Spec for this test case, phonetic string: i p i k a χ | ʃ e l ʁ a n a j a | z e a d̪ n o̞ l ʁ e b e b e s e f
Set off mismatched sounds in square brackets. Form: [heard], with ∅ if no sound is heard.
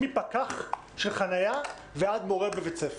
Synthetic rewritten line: i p [a] k a χ | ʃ e l [χ] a n a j a | [v] e a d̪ [m] o̞ [∅] ʁ e b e [v] e [t͡s] e f